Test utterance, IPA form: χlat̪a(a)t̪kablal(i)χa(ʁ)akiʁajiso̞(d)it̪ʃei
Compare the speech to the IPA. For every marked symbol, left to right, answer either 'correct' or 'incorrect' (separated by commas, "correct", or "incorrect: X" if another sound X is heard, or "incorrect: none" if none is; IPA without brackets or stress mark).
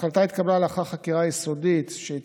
incorrect: i, incorrect: a, incorrect: χ, correct